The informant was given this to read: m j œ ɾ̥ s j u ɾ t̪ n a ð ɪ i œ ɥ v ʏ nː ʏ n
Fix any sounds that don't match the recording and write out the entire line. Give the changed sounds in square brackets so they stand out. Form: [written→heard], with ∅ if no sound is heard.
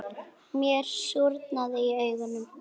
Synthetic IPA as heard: m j [œ→ɛ] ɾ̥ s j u ɾ t̪ n a ð ɪ i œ ɥ [v→ɣ] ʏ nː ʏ [n→m]